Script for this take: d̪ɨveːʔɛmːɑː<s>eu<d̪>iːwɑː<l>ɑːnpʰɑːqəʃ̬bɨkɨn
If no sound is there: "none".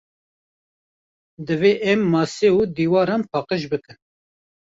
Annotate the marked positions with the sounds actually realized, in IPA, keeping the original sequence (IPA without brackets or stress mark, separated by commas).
s, d̪, ɾ